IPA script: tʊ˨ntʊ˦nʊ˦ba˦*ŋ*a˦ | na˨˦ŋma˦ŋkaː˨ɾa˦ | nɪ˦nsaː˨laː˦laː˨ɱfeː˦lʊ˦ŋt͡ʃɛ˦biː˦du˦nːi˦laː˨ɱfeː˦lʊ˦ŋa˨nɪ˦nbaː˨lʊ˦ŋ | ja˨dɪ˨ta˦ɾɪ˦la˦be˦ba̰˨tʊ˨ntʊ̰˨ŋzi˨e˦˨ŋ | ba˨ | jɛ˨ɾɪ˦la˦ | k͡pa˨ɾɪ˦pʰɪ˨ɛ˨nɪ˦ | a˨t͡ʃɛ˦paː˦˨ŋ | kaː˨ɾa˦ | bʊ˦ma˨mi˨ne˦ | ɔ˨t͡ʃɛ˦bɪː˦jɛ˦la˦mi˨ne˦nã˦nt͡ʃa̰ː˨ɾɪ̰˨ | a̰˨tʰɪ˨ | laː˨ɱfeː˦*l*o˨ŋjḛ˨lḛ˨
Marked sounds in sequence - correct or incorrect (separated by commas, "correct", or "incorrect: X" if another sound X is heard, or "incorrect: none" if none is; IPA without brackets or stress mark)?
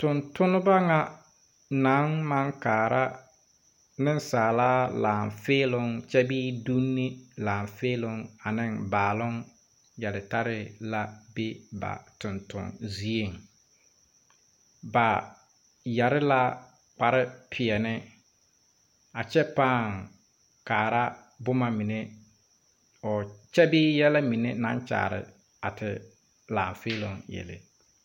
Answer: correct, correct